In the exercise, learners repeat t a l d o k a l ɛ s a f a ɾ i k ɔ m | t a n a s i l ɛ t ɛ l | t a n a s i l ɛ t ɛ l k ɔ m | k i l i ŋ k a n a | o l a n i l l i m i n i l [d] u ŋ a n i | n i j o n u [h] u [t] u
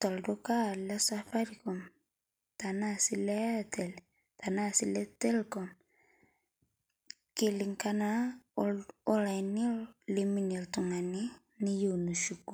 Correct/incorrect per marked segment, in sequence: incorrect, incorrect, incorrect

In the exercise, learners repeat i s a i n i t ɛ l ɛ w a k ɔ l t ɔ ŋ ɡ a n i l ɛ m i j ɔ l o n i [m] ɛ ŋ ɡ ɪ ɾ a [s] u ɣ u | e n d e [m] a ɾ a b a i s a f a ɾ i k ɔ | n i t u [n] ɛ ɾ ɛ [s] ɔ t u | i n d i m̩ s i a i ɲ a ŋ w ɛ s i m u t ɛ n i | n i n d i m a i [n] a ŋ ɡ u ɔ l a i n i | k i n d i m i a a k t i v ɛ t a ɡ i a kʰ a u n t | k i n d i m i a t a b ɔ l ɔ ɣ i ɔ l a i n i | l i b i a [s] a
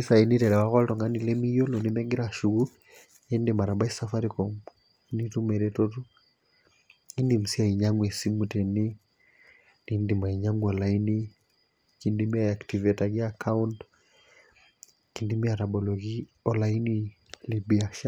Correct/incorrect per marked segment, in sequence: correct, incorrect, correct, incorrect, incorrect, incorrect, incorrect

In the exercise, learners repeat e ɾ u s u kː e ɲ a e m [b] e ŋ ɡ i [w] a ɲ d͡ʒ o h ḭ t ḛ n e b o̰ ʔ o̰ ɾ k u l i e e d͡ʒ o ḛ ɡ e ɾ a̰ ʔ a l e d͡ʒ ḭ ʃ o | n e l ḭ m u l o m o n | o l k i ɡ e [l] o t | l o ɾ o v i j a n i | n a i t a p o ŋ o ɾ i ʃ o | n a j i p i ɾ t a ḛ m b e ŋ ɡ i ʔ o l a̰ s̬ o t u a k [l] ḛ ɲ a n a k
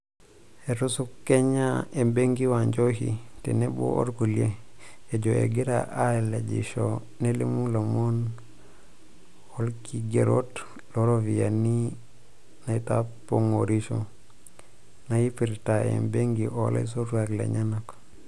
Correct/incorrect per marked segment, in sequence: correct, correct, incorrect, correct

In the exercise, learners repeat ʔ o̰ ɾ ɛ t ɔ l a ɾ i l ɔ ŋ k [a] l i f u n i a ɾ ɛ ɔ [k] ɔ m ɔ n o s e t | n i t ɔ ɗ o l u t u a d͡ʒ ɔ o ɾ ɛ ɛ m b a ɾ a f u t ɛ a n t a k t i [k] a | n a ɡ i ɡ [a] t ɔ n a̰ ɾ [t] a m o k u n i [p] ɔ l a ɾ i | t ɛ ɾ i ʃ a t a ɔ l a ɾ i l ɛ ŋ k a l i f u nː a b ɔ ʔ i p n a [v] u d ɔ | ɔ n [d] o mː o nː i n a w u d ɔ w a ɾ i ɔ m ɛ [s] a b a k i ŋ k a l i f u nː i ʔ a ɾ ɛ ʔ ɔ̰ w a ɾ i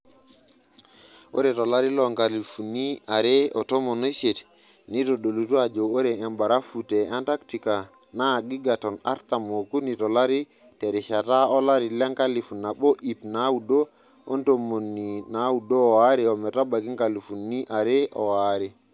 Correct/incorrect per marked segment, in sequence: correct, incorrect, correct, correct, correct, incorrect, incorrect, incorrect, incorrect

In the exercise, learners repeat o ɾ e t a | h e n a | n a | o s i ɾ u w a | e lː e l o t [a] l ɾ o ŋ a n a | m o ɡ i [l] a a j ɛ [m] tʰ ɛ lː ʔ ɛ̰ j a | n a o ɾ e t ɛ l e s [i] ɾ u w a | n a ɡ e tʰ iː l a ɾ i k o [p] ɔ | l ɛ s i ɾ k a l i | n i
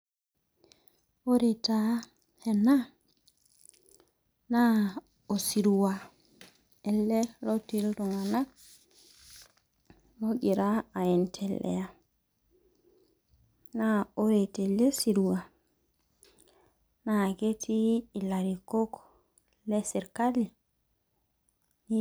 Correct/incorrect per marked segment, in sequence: incorrect, incorrect, incorrect, correct, incorrect

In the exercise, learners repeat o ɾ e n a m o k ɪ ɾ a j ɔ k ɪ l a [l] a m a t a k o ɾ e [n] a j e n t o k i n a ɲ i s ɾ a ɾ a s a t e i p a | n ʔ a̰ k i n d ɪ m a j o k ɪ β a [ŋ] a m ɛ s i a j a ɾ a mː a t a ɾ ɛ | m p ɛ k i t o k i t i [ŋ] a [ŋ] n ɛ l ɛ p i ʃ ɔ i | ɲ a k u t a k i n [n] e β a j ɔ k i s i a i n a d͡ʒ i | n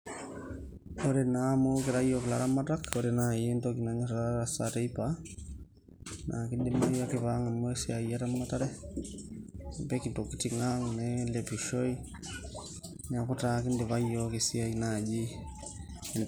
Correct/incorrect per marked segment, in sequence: incorrect, correct, correct, correct, correct, incorrect

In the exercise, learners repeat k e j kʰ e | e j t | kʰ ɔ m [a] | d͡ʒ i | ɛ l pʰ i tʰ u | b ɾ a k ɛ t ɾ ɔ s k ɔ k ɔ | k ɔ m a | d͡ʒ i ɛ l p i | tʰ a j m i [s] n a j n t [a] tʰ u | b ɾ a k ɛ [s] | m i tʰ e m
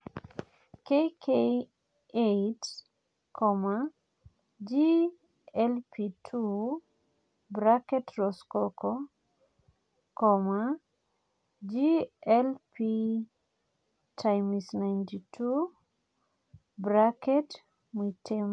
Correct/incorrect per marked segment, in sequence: correct, correct, incorrect, incorrect

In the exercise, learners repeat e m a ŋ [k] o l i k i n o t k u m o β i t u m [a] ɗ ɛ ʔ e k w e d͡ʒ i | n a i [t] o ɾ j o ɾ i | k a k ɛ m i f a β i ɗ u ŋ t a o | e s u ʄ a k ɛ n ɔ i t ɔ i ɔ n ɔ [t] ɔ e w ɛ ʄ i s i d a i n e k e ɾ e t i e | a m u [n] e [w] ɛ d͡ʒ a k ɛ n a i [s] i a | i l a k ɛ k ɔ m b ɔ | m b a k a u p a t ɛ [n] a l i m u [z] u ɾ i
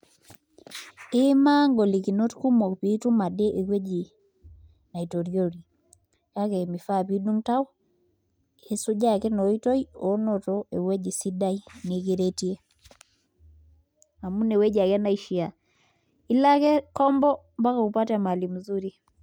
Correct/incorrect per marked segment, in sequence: incorrect, correct, correct, correct, correct, correct, incorrect, incorrect, correct

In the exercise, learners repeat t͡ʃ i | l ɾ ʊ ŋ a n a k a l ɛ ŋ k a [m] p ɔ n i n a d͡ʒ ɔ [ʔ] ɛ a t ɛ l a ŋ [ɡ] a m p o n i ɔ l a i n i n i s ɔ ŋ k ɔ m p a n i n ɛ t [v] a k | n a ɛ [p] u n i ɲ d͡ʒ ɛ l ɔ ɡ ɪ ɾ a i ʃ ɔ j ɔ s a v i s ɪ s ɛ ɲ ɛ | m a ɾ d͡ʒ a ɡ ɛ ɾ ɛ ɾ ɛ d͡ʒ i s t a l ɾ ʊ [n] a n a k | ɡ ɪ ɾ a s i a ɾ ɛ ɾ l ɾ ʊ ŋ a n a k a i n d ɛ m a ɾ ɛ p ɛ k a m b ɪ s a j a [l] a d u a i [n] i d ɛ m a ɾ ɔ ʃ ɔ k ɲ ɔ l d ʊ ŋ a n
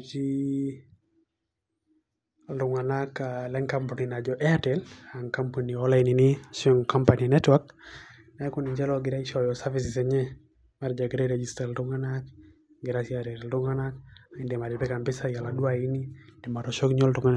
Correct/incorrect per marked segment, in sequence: correct, correct, incorrect, incorrect, incorrect, incorrect, correct, correct

